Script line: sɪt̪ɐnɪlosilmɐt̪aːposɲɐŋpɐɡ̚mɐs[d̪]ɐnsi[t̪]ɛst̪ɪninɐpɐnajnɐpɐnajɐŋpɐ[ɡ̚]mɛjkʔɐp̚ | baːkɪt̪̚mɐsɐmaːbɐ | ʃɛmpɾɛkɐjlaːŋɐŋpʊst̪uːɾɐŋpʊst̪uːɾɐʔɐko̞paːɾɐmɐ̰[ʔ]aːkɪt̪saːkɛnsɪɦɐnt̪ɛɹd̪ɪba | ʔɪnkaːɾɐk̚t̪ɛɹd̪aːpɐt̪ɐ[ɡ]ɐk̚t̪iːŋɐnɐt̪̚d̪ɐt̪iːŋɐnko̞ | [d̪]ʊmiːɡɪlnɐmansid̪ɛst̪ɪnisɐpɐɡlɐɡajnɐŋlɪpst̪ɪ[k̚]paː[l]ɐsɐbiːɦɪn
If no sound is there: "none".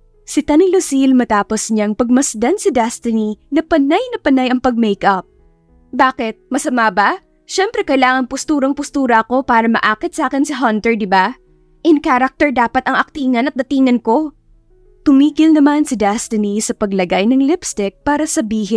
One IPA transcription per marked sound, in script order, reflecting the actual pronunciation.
d̪, d̪, ɡ̚, ʔ, ŋ, t̪, k̚, ɾ

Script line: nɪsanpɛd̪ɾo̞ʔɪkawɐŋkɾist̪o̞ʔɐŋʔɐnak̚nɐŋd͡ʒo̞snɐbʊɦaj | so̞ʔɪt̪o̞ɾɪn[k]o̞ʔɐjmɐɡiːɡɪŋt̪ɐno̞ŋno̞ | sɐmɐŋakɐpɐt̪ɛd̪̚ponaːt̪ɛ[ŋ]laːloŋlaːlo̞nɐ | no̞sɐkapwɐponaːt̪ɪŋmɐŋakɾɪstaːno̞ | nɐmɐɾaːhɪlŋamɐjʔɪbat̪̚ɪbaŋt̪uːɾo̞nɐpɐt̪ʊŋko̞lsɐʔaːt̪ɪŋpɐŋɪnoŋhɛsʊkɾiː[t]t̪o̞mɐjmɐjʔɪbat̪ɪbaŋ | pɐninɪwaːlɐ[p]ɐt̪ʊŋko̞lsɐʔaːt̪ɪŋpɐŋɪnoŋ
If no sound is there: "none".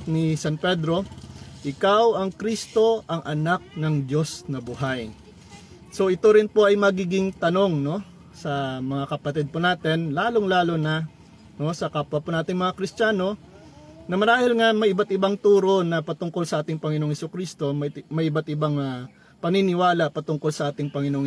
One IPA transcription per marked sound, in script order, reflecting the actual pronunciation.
p, n, s, p

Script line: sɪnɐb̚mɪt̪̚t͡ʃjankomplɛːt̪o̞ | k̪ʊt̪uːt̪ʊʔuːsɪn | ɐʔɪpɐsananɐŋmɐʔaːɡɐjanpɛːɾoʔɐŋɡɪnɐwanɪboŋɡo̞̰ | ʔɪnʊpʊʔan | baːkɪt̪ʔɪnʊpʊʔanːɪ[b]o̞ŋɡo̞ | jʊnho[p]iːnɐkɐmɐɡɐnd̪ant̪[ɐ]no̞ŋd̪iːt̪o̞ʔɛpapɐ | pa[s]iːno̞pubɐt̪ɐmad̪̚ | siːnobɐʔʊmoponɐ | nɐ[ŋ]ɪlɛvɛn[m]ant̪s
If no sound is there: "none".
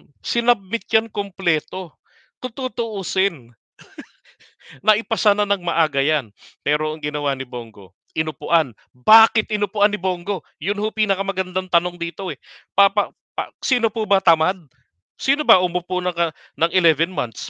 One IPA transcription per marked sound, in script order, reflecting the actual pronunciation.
b, p, ɐ, s, ŋ, m

